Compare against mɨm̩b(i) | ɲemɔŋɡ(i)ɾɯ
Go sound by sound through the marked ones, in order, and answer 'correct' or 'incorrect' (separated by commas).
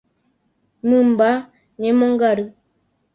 incorrect, incorrect